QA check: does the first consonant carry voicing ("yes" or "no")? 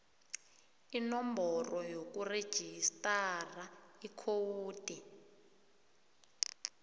yes